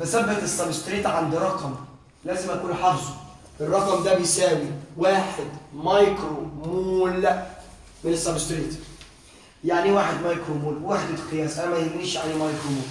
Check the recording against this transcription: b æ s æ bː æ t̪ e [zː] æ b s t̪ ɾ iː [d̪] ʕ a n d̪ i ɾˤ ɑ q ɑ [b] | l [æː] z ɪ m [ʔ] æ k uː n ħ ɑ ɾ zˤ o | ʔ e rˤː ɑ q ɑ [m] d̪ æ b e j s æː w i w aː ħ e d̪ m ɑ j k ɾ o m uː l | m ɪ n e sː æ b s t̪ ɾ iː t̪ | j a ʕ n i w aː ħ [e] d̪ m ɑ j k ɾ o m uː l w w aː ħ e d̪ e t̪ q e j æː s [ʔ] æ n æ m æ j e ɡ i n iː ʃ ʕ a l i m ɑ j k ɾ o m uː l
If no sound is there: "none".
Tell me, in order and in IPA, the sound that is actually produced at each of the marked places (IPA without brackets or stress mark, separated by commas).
sː, t̪, m, æː, ʔ, m, e, ʔ